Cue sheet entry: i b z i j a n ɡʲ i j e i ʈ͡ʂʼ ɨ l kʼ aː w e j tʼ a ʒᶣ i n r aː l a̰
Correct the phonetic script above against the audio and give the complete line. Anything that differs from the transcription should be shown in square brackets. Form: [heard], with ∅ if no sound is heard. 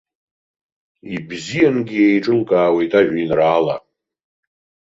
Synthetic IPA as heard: i b z i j a n ɡʲ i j e [j] ʈ͡ʂʼ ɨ l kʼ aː w e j tʼ a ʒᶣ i n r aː l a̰